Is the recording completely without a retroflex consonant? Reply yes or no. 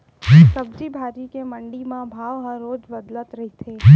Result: no